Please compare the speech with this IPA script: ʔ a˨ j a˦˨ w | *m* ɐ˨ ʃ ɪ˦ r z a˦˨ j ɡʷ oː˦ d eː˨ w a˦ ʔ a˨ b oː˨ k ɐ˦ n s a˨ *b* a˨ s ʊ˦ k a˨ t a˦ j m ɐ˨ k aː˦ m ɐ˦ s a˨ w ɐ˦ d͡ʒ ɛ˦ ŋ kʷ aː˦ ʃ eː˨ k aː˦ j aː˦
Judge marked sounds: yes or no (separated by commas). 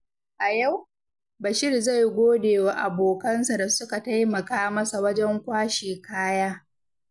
no, no